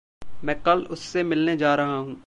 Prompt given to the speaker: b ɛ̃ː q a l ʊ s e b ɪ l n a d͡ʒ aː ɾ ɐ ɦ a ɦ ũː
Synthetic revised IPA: m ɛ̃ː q ɐ l ʊ sː e m ɪ l n e d͡ʒ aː ɾ ɐ ɦ a ɦ ũː